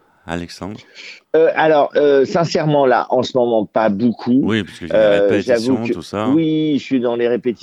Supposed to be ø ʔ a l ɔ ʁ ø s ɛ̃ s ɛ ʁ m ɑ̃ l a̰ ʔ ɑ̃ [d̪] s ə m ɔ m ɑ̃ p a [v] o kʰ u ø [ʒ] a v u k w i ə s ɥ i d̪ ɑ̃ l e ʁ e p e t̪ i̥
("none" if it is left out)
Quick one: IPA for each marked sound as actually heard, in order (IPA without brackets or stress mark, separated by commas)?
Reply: none, b, ʒ